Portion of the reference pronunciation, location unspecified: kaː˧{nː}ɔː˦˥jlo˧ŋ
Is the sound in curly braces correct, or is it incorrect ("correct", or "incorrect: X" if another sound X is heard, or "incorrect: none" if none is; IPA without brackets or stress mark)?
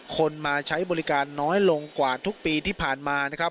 correct